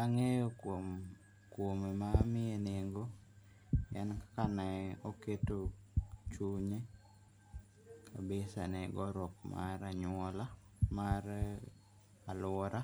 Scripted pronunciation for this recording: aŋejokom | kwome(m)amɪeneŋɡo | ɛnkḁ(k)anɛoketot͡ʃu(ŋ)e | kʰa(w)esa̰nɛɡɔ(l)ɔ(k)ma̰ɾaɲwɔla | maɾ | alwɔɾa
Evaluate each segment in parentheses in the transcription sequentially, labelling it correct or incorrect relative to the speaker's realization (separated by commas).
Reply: correct, correct, incorrect, incorrect, incorrect, correct